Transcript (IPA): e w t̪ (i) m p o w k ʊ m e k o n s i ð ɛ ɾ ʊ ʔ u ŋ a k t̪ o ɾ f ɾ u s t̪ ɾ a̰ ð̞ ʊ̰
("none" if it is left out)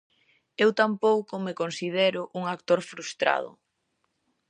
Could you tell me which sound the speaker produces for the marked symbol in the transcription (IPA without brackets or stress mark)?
a